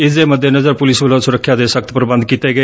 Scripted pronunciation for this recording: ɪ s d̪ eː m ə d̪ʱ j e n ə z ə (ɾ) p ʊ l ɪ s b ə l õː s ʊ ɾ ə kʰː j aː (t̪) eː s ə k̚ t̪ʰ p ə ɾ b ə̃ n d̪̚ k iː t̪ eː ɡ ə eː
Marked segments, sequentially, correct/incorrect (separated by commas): correct, incorrect